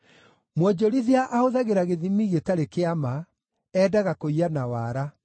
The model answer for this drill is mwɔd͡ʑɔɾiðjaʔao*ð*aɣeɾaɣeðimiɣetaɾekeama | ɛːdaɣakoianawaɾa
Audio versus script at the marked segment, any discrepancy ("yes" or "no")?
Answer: no